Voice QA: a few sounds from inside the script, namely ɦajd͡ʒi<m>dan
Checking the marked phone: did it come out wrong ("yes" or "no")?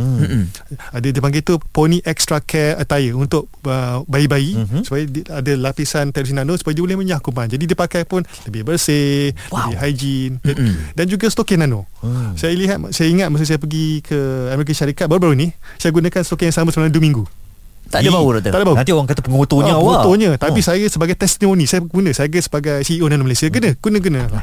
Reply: yes